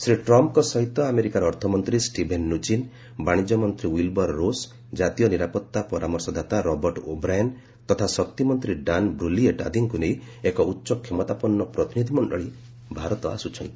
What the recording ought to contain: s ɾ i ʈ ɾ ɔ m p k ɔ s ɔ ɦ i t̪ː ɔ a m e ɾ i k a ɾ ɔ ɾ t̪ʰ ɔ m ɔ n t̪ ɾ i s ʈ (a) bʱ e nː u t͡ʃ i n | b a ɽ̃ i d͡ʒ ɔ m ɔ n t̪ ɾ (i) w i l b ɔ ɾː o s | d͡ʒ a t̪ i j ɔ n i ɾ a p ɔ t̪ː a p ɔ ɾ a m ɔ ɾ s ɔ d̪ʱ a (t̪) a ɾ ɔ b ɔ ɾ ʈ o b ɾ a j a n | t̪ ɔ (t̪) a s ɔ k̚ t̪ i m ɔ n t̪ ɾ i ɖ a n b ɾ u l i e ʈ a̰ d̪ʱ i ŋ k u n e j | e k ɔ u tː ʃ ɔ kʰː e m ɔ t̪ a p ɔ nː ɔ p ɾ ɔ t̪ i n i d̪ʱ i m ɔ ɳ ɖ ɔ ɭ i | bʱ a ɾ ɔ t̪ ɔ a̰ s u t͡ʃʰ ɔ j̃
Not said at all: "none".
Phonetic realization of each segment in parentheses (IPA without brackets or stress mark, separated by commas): i, i, t̪, t̪ʰ